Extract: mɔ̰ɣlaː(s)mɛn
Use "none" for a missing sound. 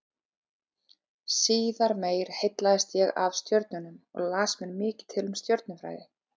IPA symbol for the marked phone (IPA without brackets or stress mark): s